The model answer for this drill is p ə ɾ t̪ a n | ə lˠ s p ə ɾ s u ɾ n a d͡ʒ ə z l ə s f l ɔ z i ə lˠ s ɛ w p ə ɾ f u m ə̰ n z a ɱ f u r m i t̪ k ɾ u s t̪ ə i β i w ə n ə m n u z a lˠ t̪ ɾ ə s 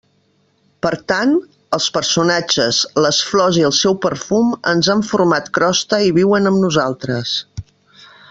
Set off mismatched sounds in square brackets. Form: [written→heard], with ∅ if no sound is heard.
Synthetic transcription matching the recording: p ə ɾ t̪ a n | ə lˠ s p ə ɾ s u [ɾ→∅] n a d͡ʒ ə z l ə s f l ɔ z i ə lˠ s ɛ w p ə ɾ f u m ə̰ n z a ɱ f u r m [i→a] t̪ k ɾ [u→ɔ] s t̪ ə i β i w ə n ə m n u z a lˠ t̪ ɾ ə s